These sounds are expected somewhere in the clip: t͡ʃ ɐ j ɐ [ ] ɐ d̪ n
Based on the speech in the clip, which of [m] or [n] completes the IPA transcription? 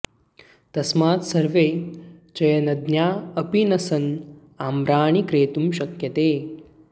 n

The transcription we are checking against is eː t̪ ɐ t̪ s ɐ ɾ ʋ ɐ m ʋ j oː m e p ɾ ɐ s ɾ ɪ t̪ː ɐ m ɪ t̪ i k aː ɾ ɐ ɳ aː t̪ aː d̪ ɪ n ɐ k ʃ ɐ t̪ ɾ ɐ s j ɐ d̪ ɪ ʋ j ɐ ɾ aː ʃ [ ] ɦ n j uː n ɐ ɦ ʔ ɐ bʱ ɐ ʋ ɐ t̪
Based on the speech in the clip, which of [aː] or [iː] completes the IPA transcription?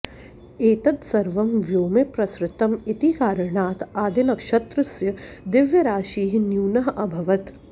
iː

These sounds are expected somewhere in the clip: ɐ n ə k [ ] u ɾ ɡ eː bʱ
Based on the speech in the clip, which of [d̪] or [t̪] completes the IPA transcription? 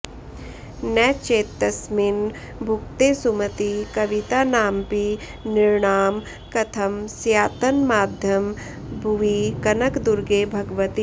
d̪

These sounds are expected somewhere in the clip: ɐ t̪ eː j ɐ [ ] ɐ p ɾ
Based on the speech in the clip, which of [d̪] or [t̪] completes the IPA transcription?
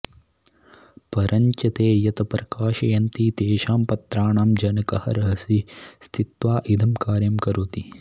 t̪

